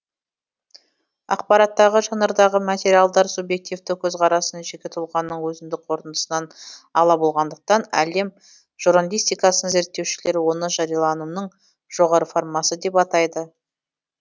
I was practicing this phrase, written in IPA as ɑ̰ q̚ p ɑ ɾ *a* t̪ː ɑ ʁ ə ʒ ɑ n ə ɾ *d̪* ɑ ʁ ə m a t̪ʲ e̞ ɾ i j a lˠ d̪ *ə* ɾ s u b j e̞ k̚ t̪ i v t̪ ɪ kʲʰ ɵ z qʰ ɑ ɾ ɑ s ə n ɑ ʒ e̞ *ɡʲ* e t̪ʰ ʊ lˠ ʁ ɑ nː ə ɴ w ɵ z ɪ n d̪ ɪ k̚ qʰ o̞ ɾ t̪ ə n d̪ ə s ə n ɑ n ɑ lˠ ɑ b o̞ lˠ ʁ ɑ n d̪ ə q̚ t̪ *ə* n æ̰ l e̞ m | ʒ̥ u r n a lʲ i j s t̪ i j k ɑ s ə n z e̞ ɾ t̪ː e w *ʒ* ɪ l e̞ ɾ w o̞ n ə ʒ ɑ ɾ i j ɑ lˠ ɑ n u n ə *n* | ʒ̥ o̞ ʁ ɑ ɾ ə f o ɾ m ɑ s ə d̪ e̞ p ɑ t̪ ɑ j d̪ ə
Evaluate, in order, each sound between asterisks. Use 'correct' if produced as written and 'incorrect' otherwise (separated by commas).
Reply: incorrect, correct, incorrect, incorrect, incorrect, incorrect, incorrect